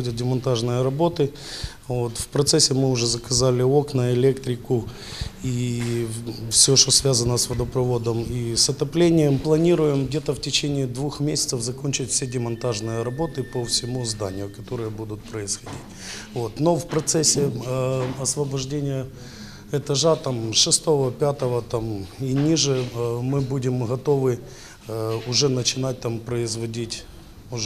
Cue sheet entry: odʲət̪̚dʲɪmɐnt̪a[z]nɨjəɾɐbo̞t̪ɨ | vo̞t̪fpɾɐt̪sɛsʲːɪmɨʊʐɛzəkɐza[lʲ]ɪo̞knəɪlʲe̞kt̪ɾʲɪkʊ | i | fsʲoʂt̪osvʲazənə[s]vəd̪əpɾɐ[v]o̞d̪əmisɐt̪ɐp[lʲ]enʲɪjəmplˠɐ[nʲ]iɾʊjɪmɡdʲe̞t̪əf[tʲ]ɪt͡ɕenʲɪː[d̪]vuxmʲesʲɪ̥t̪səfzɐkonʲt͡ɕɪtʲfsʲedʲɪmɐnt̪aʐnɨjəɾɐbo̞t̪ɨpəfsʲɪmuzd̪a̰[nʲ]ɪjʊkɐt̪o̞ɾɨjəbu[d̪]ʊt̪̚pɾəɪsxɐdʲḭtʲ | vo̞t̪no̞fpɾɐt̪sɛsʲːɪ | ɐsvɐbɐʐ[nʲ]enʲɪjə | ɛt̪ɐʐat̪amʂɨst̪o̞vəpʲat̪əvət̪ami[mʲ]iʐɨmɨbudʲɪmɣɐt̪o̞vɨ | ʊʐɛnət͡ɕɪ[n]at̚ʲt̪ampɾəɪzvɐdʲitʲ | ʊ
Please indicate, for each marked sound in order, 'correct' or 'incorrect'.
incorrect, correct, correct, correct, correct, correct, correct, correct, correct, correct, incorrect, incorrect, correct

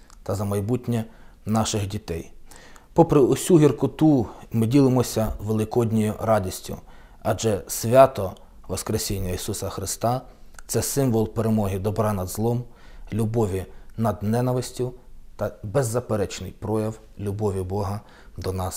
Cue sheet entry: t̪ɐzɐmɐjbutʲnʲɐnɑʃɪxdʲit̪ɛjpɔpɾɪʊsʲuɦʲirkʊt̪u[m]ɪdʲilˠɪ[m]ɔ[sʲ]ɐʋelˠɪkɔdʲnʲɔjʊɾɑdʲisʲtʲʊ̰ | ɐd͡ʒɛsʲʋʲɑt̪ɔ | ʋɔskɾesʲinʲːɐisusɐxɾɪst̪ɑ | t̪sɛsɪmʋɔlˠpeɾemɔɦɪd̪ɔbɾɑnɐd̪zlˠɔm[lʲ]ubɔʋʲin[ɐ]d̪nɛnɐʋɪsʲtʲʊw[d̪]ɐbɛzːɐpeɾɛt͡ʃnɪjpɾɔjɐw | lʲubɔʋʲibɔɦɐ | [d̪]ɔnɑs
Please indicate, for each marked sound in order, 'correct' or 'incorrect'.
correct, correct, correct, correct, correct, incorrect, correct

